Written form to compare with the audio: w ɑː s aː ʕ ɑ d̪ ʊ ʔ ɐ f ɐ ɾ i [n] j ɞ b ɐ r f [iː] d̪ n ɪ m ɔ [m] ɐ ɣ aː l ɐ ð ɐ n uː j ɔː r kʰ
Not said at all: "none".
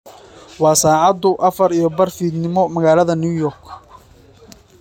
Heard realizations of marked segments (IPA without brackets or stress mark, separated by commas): none, iː, m